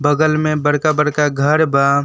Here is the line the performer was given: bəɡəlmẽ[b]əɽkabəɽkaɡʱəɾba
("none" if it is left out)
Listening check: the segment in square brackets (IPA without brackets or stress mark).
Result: b